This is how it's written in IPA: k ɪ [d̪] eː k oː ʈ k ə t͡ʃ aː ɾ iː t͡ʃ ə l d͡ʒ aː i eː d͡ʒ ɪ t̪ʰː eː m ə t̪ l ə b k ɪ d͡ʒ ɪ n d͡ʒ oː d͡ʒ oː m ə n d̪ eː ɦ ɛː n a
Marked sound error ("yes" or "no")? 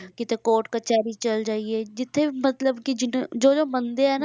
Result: yes